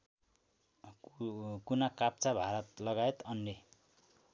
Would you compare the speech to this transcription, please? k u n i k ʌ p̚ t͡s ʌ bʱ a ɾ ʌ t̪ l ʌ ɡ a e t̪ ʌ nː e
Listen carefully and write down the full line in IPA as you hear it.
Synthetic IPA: k u n a k a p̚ t͡s a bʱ a ɾ ʌ t̪ l ʌ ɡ a e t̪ ʌ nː e